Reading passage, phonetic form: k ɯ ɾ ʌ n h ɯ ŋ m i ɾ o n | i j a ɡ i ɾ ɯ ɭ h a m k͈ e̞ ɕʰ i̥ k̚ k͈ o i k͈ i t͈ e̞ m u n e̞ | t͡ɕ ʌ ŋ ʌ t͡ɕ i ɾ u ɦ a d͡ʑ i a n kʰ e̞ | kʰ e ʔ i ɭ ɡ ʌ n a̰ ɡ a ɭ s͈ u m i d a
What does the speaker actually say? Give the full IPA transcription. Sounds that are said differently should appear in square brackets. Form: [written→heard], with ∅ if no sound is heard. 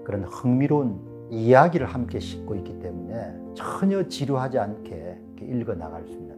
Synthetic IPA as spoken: k ɯ ɾ ʌ n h ɯ ŋ m i ɾ o n | i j a ɡ i ɾ ɯ ɭ h a m k͈ e̞ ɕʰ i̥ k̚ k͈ o i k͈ i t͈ e̞ m u n e̞ | t͡ɕ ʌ [ŋ→ɲ] ʌ t͡ɕ i ɾ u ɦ a d͡ʑ i a n kʰ e̞ | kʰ e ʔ i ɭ ɡ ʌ n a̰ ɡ a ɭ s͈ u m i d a